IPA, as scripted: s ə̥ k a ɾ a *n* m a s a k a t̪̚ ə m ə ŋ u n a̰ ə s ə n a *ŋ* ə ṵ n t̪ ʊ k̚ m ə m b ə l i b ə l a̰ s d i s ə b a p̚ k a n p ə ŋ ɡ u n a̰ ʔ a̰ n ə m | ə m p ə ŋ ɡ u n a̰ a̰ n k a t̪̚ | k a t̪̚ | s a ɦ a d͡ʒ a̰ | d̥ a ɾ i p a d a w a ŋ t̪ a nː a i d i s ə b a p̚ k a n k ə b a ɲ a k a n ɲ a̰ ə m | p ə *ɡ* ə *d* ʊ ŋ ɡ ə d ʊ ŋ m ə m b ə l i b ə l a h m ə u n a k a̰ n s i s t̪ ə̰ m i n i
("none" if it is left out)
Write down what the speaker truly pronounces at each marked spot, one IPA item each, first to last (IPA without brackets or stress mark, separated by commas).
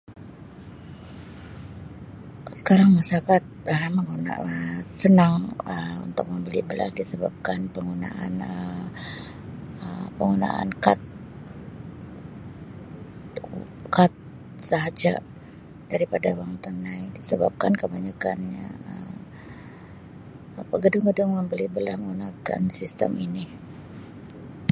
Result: ŋ, ŋ, ɡ, d